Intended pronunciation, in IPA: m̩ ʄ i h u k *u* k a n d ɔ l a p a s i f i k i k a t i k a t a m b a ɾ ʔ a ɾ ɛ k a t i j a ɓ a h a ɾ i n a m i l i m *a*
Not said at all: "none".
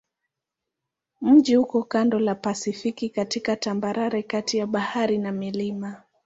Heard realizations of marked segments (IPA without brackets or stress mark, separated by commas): ɔ, a